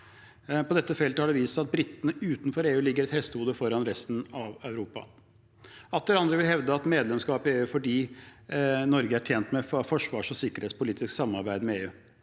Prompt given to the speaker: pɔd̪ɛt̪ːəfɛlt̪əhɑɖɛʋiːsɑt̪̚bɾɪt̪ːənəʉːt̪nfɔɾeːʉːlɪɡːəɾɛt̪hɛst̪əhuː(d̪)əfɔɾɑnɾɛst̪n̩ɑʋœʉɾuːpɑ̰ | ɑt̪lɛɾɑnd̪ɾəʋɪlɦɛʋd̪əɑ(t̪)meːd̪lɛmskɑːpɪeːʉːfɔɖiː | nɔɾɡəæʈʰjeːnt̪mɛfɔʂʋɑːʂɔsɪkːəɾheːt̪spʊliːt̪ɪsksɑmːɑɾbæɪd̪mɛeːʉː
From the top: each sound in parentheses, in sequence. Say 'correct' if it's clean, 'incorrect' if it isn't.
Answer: correct, correct

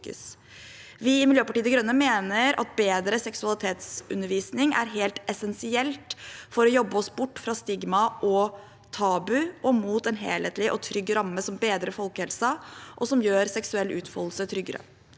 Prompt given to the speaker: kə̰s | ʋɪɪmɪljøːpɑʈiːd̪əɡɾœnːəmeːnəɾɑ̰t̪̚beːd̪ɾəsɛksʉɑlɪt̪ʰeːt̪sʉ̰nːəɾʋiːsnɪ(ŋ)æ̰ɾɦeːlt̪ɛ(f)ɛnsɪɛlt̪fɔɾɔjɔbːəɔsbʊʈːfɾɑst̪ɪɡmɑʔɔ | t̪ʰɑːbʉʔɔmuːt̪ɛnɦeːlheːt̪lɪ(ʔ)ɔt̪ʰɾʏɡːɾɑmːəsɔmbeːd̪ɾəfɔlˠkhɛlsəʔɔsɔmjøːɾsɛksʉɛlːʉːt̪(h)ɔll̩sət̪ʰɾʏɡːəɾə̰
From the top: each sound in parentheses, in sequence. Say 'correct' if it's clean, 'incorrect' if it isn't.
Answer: correct, incorrect: s, correct, incorrect: f

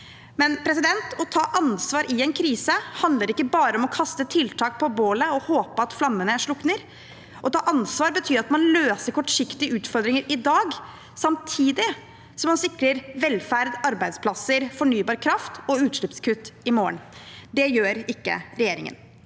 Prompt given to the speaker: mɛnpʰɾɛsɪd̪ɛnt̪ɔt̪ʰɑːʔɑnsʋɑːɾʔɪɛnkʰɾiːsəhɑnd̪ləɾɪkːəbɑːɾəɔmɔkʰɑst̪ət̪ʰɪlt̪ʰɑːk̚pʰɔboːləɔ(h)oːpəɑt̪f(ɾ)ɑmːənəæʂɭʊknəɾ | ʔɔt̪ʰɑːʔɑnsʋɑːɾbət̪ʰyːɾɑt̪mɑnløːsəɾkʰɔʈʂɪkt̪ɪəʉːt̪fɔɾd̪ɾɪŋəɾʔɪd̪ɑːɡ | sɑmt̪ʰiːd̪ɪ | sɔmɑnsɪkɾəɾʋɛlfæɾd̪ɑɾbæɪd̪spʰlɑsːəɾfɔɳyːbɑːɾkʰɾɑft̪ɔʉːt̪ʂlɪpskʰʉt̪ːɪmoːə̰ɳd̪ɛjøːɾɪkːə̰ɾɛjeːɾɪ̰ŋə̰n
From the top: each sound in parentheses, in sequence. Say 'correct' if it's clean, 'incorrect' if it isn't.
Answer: correct, incorrect: l

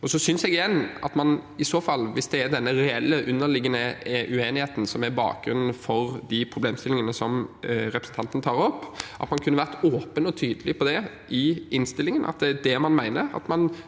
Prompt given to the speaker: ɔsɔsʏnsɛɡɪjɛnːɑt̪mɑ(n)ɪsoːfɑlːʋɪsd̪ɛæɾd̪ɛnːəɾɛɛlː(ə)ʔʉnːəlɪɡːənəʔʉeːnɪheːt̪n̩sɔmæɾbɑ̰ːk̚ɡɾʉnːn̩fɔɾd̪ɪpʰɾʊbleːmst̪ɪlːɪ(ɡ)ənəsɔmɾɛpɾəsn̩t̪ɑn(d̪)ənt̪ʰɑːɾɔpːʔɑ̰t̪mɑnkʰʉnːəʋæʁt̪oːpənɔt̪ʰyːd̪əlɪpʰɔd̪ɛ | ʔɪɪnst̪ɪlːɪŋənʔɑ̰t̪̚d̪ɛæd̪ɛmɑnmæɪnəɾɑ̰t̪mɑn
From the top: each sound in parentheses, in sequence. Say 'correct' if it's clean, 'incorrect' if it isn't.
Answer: correct, correct, incorrect: ŋ, incorrect: t̪

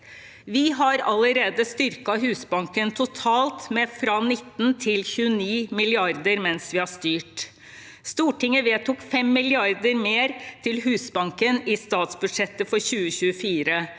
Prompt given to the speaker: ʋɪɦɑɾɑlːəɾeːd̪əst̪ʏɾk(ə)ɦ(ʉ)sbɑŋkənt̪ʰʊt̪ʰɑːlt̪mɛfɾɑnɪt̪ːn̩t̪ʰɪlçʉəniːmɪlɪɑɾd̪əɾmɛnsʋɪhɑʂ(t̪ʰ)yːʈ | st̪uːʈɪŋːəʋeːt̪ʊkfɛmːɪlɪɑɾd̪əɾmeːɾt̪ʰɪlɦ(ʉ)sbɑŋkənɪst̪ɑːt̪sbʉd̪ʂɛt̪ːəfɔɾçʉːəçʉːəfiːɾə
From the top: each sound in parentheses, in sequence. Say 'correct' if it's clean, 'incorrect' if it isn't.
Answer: incorrect: ɑ, incorrect: ʉː, incorrect: t̪, incorrect: ʉː

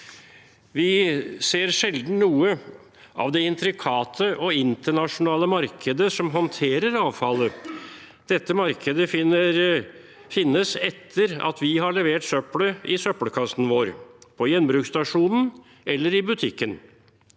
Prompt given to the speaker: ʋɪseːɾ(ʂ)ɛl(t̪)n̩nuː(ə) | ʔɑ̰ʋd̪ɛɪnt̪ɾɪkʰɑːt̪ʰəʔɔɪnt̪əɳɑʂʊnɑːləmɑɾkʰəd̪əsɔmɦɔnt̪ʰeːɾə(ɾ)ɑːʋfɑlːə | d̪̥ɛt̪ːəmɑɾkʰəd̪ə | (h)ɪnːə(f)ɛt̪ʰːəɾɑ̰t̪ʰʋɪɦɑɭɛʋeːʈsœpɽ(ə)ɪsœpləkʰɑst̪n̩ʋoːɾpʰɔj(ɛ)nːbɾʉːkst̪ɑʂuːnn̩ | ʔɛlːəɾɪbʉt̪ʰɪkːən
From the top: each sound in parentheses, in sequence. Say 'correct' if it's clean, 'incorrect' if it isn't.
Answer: correct, incorrect: d̪, correct, correct, incorrect: f, incorrect: s, correct, correct

